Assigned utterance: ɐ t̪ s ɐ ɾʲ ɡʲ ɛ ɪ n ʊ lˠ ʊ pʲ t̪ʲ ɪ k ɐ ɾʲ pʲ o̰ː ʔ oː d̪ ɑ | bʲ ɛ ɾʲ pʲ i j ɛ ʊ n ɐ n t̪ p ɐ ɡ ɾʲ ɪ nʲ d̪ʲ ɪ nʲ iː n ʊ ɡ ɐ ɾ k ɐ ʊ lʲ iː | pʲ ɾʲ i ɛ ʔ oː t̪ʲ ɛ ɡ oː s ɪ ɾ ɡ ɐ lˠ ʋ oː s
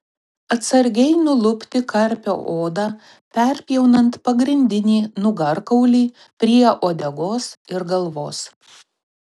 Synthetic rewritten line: ɐ t̪ s ɐ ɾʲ ɡʲ ɛ ɪ n ʊ lˠ ʊ pʲ t̪ʲ ɪ k ɐ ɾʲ pʲ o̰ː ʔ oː d̪ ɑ | pʲ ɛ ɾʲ pʲ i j ɛ ʊ n ɐ n t̪ p ɐ ɡ ɾʲ ɪ nʲ d̪ʲ ɪ nʲ iː n ʊ ɡ ɐ ɾ k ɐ ʊ lʲ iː | pʲ ɾʲ i ɛ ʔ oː d̪ʲ ɛ ɡ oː s ɪ ɾ ɡ ɐ lˠ ʋ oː s